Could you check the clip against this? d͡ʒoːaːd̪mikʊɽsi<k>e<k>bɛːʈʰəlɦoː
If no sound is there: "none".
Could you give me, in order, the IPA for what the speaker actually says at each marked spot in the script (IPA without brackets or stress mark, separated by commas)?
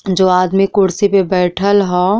p, none